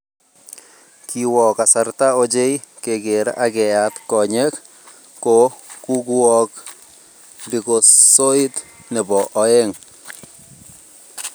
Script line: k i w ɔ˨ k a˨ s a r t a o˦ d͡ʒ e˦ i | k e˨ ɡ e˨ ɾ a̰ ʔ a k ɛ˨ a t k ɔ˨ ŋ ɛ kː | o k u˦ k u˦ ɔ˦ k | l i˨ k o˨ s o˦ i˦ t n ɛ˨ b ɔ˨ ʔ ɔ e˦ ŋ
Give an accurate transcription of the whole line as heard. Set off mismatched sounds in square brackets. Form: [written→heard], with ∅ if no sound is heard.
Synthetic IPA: k i w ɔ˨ k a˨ s a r t a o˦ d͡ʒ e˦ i | k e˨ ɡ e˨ ɾ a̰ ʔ a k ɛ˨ a t k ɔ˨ [ŋ→ɲ] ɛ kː | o k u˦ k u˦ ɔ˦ k | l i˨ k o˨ s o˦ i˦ t n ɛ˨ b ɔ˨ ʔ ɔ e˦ ŋ